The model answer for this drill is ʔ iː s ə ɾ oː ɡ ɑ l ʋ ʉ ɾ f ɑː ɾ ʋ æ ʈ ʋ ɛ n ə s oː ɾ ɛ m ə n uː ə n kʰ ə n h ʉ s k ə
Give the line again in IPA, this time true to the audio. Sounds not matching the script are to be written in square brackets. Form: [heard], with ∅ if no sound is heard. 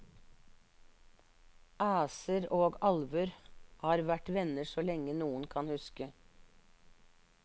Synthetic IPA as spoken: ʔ [æː] s ə ɾ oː ɡ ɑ l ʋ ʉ ɾ [h] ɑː ɾ ʋ æ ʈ ʋ ɛ n ə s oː [l] ɛ [ŋ] ə n uː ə n kʰ [ɑ] n h ʉ s k ə